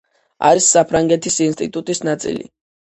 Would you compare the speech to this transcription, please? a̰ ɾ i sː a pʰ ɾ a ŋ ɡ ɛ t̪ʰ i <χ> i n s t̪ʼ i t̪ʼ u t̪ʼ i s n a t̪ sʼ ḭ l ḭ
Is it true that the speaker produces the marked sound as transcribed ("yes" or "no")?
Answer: no